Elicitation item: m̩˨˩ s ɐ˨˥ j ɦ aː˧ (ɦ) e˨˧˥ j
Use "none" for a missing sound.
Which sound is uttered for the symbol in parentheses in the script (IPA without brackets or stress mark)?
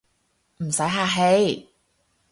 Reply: ɦ